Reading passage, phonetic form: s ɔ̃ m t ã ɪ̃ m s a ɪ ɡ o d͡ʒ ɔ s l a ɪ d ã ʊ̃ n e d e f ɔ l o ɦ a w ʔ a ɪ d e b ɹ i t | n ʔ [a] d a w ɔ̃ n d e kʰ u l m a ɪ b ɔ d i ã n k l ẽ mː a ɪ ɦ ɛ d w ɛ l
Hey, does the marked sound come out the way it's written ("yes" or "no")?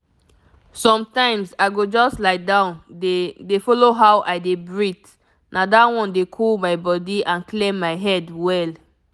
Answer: yes